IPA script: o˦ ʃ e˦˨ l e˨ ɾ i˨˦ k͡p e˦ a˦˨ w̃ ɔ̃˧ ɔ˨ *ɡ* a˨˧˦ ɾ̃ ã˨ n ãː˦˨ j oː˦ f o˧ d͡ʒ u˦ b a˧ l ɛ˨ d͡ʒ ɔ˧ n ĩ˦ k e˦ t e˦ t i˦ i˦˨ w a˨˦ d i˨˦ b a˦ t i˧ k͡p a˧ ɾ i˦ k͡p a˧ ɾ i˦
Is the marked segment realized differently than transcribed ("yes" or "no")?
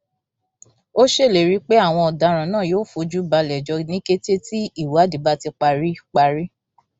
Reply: yes